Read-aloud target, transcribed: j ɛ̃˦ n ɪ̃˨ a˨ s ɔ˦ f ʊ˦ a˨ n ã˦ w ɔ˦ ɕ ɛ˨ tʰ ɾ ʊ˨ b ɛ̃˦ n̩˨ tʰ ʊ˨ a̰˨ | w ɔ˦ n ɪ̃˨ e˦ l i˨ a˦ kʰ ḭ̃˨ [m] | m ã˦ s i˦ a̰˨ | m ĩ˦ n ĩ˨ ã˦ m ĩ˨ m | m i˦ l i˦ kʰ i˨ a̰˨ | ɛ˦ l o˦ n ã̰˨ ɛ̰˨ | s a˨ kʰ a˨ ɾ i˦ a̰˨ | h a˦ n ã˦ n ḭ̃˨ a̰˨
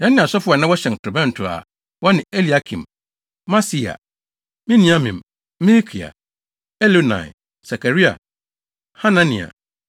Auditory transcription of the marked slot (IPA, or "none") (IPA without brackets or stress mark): m